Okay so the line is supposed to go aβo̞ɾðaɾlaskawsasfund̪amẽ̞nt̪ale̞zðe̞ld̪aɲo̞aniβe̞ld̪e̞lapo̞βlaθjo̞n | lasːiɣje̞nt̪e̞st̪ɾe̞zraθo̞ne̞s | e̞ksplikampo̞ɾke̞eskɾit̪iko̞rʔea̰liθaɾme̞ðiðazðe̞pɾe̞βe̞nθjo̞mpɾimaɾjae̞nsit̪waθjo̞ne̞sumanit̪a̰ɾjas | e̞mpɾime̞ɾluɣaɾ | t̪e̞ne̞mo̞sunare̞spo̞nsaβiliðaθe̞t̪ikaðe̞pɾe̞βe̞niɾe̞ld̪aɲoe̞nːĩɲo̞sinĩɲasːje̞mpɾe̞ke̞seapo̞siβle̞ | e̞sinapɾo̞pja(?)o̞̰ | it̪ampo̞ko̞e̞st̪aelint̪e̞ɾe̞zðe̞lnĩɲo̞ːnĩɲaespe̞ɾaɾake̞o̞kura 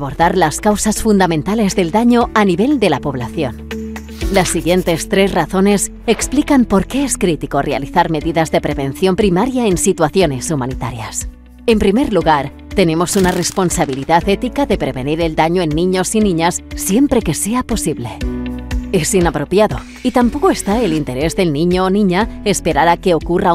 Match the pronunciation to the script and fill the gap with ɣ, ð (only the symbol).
ð